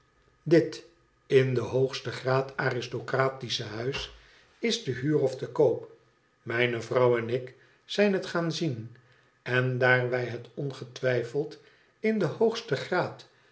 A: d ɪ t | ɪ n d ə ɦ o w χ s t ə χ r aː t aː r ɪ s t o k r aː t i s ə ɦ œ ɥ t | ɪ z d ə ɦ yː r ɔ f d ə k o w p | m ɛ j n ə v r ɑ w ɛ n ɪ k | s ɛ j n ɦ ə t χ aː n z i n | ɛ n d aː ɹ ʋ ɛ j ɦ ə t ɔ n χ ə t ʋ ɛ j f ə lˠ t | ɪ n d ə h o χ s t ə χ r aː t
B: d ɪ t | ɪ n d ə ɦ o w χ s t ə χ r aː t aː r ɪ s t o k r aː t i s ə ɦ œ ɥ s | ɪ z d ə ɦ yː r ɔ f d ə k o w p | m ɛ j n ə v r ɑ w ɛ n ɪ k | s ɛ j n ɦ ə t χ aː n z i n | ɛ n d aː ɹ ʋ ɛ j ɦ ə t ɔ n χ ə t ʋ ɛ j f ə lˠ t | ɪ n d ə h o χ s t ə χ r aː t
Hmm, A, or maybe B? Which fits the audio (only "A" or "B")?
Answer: B